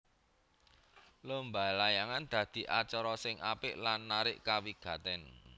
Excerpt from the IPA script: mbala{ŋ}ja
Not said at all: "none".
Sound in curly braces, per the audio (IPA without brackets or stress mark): none